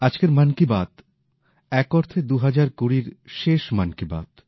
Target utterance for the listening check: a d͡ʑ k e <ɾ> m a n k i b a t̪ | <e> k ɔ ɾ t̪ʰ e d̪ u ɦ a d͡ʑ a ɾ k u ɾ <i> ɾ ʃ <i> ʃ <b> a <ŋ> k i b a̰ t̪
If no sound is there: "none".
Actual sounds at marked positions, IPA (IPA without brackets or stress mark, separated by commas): ɾ, ɛ, i, e, m, n